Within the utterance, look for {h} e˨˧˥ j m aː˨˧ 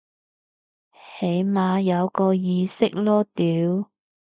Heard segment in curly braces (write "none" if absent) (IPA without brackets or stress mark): h